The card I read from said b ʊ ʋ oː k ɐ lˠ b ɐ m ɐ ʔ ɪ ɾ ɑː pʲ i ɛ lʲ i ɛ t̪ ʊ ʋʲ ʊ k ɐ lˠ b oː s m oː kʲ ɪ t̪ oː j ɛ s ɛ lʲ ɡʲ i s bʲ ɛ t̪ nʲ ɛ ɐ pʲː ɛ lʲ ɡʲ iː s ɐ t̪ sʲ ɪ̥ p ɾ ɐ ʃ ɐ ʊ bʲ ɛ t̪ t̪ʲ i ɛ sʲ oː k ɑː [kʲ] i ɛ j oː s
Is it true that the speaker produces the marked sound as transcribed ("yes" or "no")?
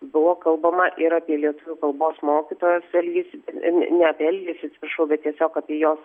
no